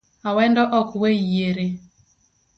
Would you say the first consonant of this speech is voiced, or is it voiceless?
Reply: voiced